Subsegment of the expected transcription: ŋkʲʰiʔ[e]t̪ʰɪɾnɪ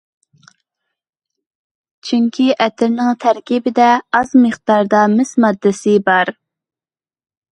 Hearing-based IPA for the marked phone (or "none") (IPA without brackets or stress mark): ɛ